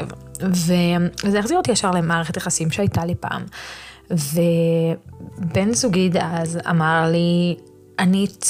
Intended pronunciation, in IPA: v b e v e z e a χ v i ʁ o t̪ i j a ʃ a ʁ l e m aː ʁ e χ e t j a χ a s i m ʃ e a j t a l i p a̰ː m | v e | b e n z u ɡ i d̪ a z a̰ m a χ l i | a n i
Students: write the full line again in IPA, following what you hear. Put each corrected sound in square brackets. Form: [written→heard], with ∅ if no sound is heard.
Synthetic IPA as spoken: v [b→v] e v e z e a χ [v→z] i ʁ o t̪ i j a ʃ a ʁ l e m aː ʁ e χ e t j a χ a s i m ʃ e a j t a l i p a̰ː m | v e | b e n z u ɡ i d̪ a z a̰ m a [χ→ʁ] l i | a n i